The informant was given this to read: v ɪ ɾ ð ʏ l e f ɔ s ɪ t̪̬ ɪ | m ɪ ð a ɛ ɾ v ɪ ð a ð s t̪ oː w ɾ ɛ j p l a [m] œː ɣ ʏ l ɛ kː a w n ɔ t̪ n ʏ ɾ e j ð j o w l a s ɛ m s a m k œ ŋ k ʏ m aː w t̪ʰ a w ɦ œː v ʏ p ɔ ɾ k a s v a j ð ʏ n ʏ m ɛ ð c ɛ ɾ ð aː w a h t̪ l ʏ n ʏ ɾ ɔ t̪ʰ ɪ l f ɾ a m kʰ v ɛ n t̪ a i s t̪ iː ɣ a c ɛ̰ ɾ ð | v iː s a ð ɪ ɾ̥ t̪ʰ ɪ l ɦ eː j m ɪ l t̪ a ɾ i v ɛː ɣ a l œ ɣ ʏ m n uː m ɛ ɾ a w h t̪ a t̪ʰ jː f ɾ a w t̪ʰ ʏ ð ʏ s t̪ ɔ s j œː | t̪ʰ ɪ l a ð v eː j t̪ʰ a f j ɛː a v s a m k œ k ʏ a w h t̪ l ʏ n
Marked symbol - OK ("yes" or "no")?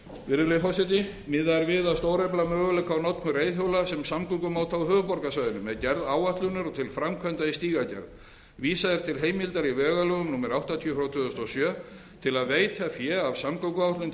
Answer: yes